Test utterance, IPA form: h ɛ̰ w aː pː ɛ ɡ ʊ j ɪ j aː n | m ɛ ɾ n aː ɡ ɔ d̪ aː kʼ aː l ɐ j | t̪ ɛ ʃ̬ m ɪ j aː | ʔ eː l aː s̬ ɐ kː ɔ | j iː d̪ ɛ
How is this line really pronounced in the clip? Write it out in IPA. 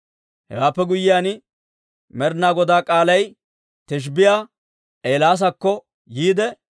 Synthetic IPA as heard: h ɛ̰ w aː pː ɛ ɡ ʊ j ɪ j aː n | m ɛ ɾ n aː ɡ ɔ d̪ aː kʼ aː l ɐ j | t̪ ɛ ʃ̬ b ɪ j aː | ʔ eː l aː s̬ ɐ kː ɔ | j iː d̪ ɛ